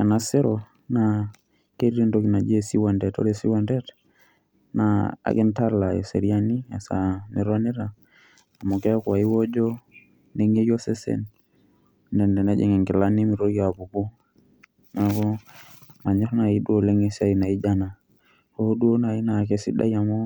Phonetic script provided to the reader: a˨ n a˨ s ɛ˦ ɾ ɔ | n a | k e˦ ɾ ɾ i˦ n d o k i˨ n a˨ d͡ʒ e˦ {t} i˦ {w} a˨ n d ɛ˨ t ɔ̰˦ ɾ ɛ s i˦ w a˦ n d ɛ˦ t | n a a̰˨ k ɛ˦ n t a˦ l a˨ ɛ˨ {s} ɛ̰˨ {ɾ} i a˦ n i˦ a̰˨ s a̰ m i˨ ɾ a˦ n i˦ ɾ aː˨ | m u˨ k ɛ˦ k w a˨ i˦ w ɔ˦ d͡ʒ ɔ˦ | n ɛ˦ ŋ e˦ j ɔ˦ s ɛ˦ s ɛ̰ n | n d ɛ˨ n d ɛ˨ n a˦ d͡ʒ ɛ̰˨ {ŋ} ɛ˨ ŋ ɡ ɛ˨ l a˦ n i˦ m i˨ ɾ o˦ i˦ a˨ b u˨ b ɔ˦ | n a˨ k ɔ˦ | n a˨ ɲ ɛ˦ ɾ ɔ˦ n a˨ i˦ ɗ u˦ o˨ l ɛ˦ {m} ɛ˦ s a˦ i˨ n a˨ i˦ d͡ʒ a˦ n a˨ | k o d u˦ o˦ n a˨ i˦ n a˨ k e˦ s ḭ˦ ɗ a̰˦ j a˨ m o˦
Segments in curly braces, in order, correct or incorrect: incorrect: s, correct, correct, correct, correct, incorrect: ŋ

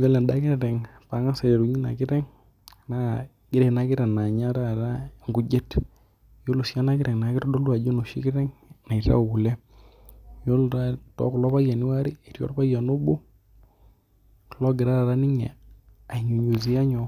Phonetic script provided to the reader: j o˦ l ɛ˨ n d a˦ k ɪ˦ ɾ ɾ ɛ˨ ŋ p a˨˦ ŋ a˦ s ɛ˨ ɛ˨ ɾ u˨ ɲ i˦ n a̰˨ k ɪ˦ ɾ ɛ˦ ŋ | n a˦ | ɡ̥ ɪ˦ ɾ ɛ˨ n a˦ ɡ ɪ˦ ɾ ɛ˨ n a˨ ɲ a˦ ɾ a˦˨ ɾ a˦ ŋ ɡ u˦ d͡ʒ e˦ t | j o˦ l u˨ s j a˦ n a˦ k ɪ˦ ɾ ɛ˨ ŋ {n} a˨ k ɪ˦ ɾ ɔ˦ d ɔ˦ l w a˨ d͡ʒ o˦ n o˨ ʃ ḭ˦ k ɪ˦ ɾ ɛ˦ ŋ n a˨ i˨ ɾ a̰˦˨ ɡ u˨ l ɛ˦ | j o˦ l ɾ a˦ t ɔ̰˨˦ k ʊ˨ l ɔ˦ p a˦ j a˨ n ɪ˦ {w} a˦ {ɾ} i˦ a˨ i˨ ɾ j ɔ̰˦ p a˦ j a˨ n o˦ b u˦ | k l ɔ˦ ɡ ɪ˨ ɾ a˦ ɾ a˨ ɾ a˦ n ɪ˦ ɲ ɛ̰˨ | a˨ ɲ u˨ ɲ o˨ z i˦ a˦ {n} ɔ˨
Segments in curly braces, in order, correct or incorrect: correct, correct, correct, incorrect: ɲ

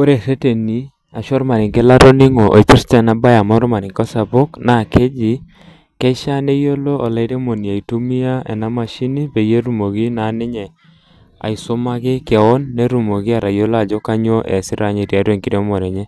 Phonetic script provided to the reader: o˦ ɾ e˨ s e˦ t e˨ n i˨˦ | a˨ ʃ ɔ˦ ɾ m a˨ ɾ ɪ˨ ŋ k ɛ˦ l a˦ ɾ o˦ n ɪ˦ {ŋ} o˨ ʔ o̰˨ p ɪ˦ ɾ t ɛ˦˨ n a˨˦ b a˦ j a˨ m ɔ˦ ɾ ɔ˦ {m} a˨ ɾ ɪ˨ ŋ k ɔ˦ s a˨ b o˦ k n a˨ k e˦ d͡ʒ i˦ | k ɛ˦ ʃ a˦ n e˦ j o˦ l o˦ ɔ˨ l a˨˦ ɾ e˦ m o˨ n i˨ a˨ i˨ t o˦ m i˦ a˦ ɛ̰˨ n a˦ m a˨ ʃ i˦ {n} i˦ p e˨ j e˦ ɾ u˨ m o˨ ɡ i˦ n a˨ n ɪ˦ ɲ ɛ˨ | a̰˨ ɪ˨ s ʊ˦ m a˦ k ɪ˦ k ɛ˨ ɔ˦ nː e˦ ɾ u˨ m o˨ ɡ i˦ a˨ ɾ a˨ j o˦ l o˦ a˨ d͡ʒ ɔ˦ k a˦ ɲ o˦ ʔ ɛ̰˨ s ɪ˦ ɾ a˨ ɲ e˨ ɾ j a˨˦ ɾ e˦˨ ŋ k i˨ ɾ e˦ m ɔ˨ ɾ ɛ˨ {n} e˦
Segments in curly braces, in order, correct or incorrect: correct, correct, correct, incorrect: ɲ

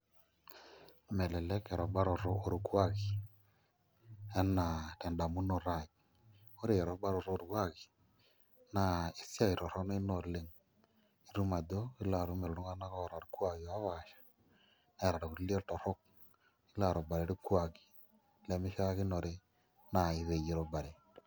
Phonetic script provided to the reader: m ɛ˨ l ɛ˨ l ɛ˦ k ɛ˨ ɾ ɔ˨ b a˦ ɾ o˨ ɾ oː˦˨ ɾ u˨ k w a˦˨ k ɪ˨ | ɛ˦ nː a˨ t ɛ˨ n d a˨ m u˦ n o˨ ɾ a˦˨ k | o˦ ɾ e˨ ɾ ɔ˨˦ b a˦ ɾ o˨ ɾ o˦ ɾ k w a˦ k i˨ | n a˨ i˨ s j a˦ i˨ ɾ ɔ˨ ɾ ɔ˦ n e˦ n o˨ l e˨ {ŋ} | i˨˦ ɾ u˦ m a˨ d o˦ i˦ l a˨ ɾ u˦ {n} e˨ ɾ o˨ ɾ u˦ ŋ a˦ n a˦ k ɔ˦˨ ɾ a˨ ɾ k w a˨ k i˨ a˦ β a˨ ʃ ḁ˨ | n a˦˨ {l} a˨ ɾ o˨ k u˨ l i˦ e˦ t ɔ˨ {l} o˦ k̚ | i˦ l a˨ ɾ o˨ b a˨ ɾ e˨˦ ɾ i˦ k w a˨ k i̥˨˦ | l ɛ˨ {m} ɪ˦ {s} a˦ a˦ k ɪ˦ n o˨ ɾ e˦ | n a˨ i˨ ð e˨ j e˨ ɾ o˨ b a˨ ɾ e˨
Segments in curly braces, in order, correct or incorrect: correct, incorrect: m, incorrect: ɾ, incorrect: ɾ, correct, incorrect: ʃ

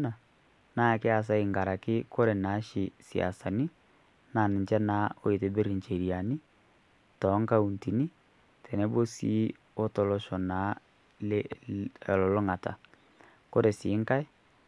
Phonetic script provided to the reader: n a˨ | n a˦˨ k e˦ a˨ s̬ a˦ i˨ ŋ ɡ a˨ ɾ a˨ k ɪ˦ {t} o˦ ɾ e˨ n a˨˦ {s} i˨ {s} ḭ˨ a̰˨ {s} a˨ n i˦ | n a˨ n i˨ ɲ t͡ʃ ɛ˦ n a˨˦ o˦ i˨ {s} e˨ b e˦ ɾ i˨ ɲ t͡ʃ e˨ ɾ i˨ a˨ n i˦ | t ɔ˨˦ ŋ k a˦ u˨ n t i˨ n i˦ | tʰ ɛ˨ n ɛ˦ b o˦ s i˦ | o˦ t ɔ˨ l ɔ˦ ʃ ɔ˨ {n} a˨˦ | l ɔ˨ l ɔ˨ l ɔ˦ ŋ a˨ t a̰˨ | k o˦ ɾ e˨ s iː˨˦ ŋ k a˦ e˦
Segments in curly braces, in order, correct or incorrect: incorrect: k, incorrect: ʃ, correct, correct, incorrect: t, correct

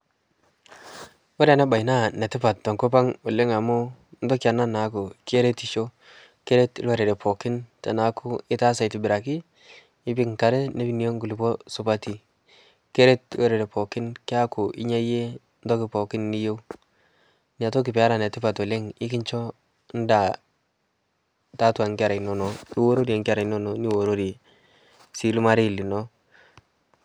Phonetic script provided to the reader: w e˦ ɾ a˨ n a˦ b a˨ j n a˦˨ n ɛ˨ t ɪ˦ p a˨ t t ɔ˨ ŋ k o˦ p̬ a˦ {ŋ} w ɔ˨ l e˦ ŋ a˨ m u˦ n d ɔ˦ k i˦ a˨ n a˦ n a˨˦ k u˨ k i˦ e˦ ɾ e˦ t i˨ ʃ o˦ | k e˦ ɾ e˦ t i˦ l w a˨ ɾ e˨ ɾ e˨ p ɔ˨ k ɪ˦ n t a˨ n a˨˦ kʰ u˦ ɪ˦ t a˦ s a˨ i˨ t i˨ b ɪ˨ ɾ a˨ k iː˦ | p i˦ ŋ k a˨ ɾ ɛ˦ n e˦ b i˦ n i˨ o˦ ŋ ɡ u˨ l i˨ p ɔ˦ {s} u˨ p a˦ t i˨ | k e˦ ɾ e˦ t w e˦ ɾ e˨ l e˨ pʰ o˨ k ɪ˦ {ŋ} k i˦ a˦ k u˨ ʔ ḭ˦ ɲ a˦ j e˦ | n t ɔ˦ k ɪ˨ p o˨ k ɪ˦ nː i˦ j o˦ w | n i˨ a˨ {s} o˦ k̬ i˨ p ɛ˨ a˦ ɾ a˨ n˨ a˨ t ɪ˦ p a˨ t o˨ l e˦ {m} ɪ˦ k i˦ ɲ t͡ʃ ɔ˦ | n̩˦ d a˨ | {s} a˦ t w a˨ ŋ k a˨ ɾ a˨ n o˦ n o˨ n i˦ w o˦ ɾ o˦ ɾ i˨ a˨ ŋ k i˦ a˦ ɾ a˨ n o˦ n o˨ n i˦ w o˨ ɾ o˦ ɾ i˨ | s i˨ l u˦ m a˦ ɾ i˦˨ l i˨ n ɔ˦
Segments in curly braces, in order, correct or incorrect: correct, correct, incorrect: n, incorrect: t, incorrect: ŋ, incorrect: t

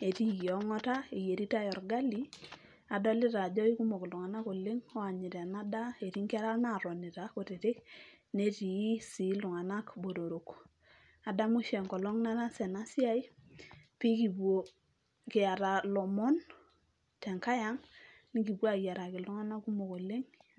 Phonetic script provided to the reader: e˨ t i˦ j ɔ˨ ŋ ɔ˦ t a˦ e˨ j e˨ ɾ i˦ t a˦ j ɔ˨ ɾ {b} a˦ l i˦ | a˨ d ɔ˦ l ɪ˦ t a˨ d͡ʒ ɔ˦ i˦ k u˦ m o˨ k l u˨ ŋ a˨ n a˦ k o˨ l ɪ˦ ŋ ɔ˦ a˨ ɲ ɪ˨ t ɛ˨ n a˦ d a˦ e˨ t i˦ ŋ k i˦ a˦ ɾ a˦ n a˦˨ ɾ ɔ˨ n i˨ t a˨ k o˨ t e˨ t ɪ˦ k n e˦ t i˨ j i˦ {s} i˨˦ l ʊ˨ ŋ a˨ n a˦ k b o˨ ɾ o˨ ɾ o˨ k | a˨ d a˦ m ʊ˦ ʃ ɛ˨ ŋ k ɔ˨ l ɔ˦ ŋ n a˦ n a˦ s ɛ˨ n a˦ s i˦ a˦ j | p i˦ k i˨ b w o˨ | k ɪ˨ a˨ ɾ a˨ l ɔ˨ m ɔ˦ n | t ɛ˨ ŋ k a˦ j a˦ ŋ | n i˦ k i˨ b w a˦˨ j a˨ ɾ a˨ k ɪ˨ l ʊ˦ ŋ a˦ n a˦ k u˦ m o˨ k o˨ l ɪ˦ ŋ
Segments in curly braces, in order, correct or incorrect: incorrect: ɡ, correct

